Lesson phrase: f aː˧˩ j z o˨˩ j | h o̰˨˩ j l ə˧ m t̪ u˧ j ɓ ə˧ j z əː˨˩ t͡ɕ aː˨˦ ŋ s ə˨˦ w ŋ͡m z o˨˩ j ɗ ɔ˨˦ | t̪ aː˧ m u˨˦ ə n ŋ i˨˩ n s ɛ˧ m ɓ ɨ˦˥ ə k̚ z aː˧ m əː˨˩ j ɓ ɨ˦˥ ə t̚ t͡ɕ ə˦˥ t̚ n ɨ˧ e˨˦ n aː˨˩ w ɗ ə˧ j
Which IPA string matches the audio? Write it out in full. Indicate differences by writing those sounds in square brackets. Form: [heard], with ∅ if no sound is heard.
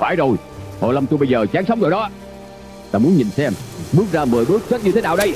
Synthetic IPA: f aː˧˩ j z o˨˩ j | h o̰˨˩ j l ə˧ m t̪ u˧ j ɓ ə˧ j z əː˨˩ t͡ɕ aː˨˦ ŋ s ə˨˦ w ŋ͡m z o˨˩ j ɗ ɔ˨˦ | t̪ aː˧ m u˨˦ ə n [ɲ] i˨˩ n s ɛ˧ m ɓ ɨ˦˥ ə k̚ z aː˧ m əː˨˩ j ɓ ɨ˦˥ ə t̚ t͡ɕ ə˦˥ t̚ [ɲ] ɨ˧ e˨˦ n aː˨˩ w ɗ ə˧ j